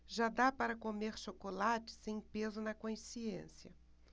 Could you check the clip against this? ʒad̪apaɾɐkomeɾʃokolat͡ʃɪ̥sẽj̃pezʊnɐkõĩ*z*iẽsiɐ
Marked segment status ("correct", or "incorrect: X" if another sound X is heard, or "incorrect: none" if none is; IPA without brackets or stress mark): incorrect: s